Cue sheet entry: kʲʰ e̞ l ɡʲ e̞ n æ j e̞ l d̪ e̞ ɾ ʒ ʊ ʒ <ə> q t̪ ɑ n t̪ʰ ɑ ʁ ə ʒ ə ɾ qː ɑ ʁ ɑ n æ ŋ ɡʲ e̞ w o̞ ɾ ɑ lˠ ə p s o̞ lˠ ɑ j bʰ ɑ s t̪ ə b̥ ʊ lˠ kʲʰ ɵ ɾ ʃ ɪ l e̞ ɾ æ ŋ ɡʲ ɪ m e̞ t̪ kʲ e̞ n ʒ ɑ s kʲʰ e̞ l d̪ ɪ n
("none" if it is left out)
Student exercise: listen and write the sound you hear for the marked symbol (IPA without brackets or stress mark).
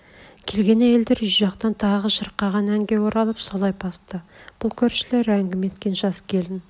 ɑ